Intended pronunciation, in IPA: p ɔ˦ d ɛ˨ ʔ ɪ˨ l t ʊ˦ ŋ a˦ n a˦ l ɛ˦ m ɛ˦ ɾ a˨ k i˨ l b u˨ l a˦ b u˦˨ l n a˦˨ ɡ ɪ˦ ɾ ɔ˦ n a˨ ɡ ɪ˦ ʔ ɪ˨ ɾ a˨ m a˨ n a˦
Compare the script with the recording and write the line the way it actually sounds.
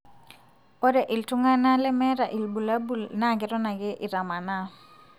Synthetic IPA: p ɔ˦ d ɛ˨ ʔ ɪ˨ l t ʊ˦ ŋ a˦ n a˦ l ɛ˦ m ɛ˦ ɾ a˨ ʔ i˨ l b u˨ l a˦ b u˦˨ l n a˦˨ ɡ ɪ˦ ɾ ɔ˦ n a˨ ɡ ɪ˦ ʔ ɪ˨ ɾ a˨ m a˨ n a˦